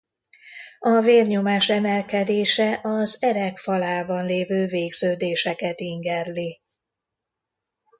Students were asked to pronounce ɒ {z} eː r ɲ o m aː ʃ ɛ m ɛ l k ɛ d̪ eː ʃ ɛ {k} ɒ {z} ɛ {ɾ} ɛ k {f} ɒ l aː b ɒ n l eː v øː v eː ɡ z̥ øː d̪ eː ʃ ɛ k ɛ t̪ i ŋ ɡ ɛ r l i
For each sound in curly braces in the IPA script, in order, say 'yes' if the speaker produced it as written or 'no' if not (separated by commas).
no, no, yes, yes, yes